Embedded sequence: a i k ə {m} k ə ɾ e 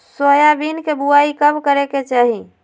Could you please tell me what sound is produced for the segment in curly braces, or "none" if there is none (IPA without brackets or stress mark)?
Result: b